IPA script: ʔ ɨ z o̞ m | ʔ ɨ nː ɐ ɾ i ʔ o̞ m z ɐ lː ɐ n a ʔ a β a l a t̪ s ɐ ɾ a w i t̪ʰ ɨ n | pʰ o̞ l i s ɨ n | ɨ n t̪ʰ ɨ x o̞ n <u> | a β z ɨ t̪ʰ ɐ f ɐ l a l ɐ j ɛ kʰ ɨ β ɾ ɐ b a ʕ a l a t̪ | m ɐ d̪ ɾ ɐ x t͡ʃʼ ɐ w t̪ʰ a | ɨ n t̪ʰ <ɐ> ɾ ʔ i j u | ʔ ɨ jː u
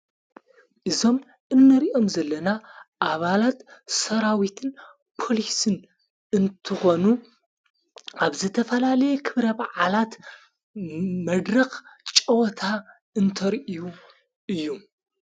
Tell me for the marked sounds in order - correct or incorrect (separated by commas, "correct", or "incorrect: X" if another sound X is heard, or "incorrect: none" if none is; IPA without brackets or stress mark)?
correct, correct